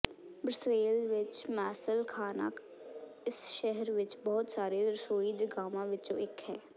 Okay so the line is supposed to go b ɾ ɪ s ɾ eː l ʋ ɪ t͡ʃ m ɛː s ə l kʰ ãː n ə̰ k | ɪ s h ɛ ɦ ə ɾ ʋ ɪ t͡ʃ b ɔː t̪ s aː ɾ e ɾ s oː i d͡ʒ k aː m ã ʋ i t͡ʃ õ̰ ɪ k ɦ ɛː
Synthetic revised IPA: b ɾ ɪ s ɾ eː l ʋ ɪ t͡ʃ m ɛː s ə l kʰ aː n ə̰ k | ɪ s ʃ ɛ ɦ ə ɾ ʋ ɪ t͡ʃ b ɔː t̪ s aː ɾ e ɾ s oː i d͡ʒ ɡ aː m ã ʋ ɪ t͡ʃ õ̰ ɪ k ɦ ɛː